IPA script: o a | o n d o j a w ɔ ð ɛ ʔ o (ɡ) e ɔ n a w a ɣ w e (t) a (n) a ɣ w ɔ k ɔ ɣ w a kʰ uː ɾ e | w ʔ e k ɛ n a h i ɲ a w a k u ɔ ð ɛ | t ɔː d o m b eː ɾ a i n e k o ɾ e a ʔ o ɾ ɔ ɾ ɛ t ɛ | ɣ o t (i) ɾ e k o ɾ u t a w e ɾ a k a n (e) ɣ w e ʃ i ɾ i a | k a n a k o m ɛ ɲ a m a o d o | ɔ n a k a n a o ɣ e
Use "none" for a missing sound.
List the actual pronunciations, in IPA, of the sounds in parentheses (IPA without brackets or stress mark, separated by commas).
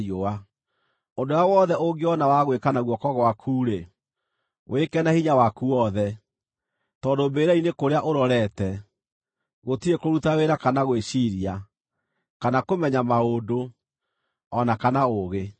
ɡ, k, n, i, a